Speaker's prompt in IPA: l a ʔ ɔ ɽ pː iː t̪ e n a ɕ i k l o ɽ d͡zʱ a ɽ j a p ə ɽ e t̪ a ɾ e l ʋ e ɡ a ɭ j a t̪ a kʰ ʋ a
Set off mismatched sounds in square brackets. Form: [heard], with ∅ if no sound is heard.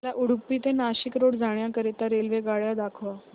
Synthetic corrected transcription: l a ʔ [u] ɽ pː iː t̪ e n a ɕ i k [ɾ] o ɽ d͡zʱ a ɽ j a [k] ə [ɾ] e t̪ a ɾ e l ʋ e ɡ a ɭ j a [d̪] a kʰ ʋ a